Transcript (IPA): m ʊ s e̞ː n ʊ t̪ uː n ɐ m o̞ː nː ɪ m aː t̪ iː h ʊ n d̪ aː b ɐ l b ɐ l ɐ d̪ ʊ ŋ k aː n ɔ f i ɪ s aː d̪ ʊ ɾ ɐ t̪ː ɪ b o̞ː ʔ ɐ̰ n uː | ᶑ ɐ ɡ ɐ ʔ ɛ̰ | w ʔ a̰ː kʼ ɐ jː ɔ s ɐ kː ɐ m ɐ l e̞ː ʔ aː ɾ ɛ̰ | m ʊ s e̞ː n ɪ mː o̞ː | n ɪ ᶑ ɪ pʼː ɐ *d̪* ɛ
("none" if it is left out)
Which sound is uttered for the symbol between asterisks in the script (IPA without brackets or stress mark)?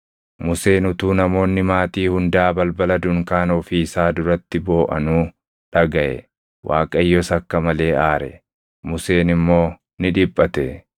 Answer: t̪